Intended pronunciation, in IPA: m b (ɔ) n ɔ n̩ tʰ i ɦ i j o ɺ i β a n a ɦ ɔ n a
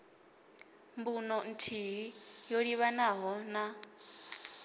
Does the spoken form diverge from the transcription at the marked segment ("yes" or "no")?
yes